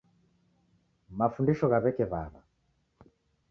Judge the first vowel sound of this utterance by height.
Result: low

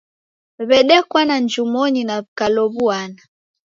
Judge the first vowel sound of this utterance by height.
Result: mid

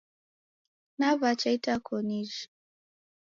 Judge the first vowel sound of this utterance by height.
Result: low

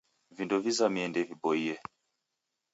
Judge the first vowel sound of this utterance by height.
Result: high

